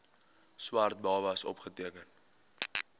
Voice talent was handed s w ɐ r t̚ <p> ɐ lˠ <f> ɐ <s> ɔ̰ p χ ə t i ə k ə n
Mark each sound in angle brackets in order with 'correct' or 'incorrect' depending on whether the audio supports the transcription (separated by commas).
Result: incorrect, incorrect, correct